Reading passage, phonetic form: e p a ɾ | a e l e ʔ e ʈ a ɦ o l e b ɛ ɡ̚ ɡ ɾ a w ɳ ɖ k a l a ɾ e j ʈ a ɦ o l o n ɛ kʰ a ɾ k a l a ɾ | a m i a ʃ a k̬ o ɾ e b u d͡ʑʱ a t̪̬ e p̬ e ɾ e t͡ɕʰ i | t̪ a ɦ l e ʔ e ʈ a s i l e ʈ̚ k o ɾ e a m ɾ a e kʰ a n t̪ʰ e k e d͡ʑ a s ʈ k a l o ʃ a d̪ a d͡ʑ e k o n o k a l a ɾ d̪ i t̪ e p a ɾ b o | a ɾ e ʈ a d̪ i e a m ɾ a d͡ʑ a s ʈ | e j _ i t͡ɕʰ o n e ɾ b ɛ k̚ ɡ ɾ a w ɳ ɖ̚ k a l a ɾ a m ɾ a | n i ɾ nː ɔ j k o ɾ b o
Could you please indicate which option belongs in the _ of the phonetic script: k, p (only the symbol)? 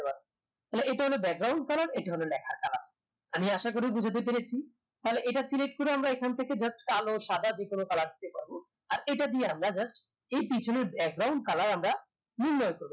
p